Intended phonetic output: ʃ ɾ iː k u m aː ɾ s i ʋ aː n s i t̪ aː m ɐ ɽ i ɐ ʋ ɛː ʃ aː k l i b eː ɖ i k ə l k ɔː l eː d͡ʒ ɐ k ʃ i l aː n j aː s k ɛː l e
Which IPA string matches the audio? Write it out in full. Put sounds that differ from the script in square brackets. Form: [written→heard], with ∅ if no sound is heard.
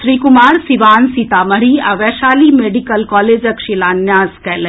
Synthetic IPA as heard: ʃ ɾ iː k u m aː ɾ s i ʋ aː n s i t̪ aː m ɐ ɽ i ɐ ʋ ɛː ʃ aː [k→∅] l i [b→m] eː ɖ i k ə l k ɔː l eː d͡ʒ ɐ k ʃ i l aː n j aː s k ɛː l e